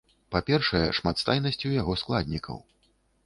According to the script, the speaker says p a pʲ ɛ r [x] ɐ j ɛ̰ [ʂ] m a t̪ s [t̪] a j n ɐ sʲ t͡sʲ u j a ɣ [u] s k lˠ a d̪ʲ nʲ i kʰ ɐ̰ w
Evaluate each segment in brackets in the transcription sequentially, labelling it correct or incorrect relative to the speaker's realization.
incorrect: ʂ, correct, correct, incorrect: ɔ

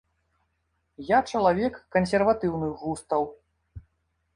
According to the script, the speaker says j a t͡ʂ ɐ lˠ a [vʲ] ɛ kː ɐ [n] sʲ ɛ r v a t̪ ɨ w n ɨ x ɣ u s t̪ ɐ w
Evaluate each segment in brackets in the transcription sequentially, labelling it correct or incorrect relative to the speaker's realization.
correct, correct

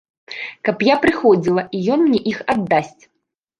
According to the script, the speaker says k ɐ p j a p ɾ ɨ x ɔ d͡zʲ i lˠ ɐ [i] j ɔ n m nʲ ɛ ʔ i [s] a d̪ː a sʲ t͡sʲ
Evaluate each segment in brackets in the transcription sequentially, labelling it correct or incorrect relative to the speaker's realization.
correct, incorrect: x

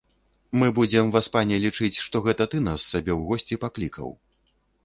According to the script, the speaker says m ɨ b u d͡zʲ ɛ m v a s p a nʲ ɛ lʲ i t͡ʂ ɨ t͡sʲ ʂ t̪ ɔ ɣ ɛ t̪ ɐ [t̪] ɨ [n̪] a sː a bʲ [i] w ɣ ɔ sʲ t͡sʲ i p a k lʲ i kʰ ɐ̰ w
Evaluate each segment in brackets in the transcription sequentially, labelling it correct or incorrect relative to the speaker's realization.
correct, correct, incorrect: ɛ

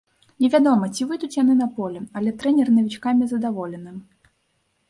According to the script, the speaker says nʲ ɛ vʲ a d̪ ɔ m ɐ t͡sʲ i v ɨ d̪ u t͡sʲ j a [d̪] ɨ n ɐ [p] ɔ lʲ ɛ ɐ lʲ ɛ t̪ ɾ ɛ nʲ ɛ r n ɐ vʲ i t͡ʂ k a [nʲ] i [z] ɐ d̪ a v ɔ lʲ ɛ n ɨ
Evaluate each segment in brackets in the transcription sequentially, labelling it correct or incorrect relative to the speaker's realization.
incorrect: n̪, correct, incorrect: mʲ, correct

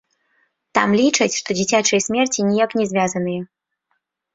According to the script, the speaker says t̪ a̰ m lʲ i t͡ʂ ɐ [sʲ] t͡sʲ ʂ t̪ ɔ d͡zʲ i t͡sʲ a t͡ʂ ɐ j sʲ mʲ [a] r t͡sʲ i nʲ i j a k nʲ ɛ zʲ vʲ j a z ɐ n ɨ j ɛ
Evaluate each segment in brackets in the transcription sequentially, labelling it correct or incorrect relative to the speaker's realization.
incorrect: none, incorrect: ɛ

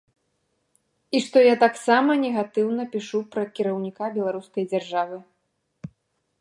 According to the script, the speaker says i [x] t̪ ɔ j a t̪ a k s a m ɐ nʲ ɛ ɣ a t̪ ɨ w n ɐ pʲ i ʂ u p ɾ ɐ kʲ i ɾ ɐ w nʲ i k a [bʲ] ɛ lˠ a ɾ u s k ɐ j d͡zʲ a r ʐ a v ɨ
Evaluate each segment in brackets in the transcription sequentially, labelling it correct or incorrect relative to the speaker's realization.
incorrect: ʂ, correct

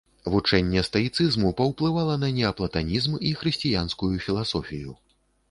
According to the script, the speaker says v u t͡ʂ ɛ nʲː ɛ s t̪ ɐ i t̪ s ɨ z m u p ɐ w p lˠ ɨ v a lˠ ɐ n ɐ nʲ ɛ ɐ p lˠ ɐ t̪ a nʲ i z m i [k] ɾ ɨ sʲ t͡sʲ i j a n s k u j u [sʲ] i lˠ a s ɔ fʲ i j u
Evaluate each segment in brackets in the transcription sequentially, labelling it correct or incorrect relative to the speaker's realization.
incorrect: x, incorrect: fʲ

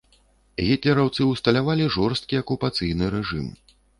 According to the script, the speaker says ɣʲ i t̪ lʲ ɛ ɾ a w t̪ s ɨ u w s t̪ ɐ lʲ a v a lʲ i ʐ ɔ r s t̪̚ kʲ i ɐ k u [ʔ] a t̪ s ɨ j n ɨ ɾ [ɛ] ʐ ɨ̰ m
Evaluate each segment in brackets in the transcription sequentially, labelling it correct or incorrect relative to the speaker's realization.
incorrect: p, correct

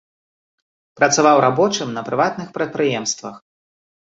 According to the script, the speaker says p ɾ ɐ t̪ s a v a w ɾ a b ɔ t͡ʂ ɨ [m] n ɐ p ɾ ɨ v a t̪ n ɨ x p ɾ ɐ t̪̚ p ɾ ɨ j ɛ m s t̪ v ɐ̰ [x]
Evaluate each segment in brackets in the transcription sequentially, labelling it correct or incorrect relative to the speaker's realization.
correct, correct

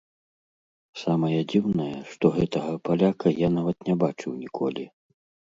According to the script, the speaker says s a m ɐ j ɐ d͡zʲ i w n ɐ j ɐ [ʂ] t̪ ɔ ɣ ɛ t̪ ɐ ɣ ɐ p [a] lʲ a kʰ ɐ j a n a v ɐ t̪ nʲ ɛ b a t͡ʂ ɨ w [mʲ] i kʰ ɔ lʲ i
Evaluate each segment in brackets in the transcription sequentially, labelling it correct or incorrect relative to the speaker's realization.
correct, correct, incorrect: nʲ

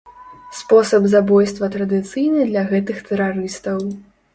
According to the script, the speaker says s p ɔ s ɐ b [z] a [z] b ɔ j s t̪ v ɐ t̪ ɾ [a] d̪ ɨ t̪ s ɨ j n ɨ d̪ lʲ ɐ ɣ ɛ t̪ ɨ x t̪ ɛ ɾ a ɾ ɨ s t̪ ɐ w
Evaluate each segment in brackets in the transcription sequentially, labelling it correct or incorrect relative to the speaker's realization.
correct, incorrect: none, incorrect: ɐ

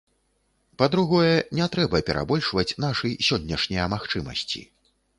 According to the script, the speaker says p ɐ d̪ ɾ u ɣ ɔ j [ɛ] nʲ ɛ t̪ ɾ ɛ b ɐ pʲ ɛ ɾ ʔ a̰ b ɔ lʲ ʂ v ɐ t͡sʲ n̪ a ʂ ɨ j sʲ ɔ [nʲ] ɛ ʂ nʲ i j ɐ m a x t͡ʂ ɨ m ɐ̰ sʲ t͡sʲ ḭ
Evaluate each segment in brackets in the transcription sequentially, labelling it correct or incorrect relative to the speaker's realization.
correct, incorrect: nʲː

